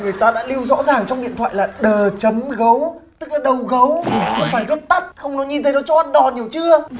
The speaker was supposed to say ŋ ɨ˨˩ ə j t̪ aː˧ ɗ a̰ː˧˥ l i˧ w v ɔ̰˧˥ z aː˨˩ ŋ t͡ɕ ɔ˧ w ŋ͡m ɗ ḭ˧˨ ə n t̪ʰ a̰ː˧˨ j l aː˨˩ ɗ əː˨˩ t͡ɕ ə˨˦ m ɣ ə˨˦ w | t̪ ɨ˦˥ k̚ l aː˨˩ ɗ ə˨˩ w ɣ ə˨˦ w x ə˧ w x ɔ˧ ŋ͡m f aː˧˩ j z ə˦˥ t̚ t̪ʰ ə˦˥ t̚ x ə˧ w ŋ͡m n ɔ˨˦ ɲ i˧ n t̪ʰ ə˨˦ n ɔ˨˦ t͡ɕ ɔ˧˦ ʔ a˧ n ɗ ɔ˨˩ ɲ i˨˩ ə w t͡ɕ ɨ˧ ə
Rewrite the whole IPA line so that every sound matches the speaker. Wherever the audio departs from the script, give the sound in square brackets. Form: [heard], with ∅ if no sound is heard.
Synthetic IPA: ŋ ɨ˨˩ ə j t̪ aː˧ ɗ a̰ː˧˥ l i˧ w [z] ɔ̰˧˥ z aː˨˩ ŋ t͡ɕ ɔ˧ w ŋ͡m ɗ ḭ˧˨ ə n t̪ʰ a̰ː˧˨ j l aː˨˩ ɗ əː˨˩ t͡ɕ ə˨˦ m ɣ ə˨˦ w | t̪ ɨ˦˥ k̚ l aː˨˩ ɗ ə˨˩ w ɣ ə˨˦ w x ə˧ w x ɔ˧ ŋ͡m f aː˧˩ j z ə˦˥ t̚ [t̪] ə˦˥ t̚ x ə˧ w ŋ͡m n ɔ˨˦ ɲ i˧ n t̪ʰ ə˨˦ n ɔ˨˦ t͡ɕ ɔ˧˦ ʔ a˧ n ɗ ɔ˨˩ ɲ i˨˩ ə w t͡ɕ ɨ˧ ə